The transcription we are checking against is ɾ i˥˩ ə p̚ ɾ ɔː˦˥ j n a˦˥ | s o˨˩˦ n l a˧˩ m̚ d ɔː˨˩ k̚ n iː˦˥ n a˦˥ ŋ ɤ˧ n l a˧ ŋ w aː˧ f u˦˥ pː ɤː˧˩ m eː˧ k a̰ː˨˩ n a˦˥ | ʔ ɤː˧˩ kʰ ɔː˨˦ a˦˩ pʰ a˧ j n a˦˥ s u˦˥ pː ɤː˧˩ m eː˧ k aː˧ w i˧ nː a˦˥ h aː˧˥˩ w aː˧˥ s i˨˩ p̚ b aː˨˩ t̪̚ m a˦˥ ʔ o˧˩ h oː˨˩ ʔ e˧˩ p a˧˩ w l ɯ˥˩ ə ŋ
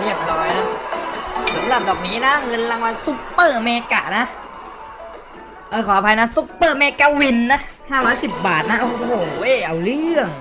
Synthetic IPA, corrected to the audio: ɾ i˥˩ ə p̚ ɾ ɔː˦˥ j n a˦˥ | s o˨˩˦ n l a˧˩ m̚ d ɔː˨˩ k̚ n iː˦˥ n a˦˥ ŋ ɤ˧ n l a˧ ŋ w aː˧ s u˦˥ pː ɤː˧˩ m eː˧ k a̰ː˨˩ n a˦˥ | ʔ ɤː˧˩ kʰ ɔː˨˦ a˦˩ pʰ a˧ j n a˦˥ s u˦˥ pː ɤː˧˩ m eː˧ k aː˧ w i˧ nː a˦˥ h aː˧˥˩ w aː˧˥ s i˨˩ p̚ b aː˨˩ t̪̚ n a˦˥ ʔ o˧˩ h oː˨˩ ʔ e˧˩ ʔ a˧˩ w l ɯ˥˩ ə ŋ